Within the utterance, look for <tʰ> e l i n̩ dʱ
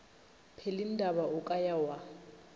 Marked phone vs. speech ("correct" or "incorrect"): incorrect